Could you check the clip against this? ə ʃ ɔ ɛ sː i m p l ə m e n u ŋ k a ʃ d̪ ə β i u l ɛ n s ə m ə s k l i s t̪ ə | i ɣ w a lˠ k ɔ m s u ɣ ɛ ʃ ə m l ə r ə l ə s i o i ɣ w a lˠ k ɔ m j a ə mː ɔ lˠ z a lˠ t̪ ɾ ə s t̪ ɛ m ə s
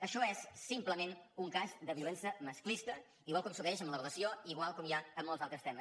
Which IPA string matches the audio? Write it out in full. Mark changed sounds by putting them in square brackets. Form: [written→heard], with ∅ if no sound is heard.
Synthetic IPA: ə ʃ ɔ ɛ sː i m p l ə m e n u ŋ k a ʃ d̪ ə β i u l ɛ n s ə m ə s k l i s t̪ ə | i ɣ w a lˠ k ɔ m s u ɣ ɛ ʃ ə m l ə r ə l ə s i o i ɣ w a lˠ k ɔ m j a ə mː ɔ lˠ z a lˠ t̪ ɾ ə s t̪ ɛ m ə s